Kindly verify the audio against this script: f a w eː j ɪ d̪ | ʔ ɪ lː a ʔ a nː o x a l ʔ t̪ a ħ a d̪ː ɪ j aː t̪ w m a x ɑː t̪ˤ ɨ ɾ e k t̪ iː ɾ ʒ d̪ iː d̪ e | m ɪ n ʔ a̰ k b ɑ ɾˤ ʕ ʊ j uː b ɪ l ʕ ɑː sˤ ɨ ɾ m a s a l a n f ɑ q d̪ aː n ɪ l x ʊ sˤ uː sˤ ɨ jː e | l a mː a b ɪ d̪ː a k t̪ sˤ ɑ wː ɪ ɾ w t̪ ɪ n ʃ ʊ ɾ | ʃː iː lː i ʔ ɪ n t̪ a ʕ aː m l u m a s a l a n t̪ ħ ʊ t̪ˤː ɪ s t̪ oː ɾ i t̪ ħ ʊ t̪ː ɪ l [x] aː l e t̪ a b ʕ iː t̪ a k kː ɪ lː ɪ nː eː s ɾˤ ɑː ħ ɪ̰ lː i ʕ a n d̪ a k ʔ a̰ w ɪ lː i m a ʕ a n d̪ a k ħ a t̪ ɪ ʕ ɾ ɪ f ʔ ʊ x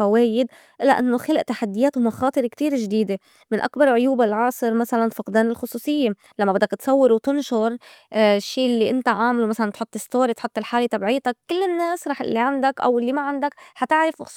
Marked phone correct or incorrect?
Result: incorrect